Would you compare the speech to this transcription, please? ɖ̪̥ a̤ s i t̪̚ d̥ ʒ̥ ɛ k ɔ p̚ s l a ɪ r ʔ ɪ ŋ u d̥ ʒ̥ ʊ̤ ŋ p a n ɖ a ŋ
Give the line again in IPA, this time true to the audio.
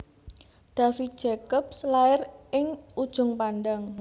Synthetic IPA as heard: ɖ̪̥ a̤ f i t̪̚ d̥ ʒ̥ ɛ k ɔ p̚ s l a ɪ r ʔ ɪ ŋ u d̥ ʒ̥ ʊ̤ ŋ p a n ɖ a ŋ